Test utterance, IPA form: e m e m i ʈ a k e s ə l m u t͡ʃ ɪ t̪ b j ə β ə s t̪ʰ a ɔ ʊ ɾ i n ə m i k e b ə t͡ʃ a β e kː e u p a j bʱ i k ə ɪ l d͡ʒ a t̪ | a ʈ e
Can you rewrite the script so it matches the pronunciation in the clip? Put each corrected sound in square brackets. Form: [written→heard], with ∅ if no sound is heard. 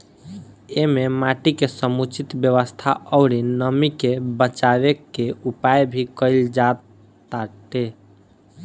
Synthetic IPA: e m e m [i→a] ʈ [a→i] k e s ə [l→∅] m u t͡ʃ [ɪ→i] t̪ b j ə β ə s t̪ʰ a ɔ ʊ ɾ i n ə m i k e b ə t͡ʃ a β e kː e u p a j bʱ i k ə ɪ l d͡ʒ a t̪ | a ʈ e